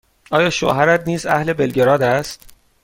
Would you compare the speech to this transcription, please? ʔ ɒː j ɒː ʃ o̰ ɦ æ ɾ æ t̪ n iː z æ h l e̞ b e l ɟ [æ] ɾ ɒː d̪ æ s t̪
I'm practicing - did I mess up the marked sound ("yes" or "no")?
yes